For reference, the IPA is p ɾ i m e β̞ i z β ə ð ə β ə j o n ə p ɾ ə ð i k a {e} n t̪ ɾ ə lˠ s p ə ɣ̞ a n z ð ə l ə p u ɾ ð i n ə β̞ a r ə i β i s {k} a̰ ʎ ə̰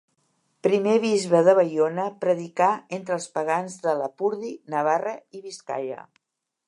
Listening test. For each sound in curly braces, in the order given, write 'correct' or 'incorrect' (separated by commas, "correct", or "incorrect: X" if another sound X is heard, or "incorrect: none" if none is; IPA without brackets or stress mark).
correct, correct